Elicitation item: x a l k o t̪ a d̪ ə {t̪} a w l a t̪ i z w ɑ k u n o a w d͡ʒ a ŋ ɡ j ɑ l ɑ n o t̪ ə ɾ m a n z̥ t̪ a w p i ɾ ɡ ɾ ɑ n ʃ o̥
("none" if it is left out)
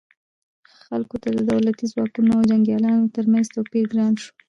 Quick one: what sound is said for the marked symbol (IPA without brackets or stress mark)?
d̪